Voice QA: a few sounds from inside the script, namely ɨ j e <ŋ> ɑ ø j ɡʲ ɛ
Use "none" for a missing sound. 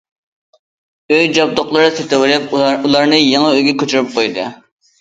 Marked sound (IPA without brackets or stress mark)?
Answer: ŋ